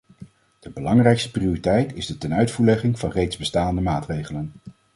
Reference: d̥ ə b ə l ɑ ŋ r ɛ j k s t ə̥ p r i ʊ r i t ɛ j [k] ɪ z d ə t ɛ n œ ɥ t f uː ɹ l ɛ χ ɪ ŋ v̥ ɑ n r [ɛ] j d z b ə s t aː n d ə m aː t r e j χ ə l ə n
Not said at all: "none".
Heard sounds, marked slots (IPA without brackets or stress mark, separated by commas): t, e